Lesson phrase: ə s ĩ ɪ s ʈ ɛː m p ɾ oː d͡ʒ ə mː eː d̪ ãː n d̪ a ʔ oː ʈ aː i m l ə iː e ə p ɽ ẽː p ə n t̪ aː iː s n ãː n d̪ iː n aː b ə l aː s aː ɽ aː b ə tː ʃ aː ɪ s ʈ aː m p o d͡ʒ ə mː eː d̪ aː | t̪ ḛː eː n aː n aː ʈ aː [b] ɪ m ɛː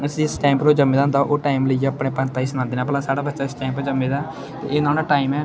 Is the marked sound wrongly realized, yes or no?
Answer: yes